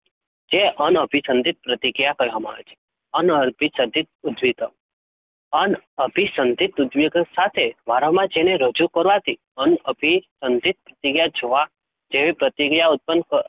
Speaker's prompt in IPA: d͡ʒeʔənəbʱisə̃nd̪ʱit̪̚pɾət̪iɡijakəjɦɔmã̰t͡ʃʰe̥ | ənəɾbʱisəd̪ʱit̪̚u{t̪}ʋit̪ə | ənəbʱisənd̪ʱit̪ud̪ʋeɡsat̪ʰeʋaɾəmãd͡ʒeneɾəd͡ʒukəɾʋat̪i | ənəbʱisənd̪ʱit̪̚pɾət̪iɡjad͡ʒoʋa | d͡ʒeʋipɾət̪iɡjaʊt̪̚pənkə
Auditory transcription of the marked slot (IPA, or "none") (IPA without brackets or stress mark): d̪